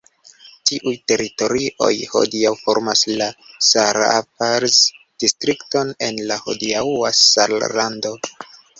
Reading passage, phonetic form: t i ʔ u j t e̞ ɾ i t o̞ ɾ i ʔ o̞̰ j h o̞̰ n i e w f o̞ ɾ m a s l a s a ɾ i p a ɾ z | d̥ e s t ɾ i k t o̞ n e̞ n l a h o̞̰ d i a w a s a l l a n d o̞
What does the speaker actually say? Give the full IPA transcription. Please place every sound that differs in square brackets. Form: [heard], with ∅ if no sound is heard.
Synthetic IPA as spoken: t i ʔ u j t e̞ ɾ i t o̞ ɾ i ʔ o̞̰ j h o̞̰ [d] i [a] w f o̞ ɾ m a s l a s a ɾ [a] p a ɾ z | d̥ [i] s t ɾ i k t o̞ n e̞ n l a h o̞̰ d i a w a s a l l a n d o̞